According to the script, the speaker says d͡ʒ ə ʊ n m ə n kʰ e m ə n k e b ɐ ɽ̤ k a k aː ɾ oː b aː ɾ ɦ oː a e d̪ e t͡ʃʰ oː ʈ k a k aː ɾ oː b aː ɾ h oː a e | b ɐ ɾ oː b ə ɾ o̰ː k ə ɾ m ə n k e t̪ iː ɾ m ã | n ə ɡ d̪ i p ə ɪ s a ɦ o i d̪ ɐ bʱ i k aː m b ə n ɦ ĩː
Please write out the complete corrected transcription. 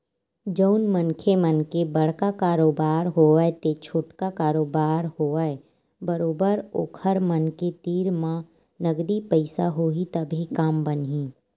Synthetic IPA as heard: d͡ʒ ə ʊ n m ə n kʰ e m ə n k e b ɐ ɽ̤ k a k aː ɾ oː b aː ɾ ɦ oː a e t̪ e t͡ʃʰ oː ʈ k a k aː ɾ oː b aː ɾ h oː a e | b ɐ ɾ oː b ə ɾ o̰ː kʰ ə ɾ m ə n k e t̪ iː ɾ m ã | n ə ɡ d̪ i p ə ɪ s a ɦ o i t̪ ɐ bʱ i k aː m b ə n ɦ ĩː